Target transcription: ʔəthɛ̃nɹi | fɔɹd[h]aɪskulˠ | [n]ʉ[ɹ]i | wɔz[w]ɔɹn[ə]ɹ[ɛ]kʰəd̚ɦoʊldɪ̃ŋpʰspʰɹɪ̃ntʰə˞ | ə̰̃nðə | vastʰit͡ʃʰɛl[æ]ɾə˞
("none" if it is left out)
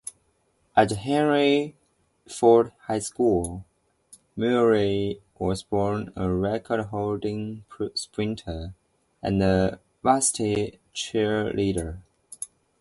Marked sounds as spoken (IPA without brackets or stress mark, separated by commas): h, m, ɹ, b, ə, ɛ, i